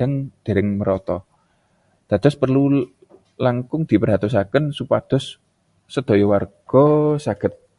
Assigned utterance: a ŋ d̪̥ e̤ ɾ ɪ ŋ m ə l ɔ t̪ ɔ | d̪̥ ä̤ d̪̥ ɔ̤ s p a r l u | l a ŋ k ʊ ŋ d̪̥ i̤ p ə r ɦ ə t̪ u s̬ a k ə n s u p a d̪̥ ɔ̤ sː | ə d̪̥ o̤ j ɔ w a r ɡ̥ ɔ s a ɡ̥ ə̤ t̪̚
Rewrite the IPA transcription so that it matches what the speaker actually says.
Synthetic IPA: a ŋ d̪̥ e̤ ɾ ɪ ŋ m ə ɾ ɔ t̪ ɔ | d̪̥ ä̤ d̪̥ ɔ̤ s p ə r l u | l a ŋ k ʊ ŋ d̪̥ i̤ p ə r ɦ a t̪ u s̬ a k ə n s u p a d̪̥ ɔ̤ sː | ə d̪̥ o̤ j ɔ w a r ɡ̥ ɔ s a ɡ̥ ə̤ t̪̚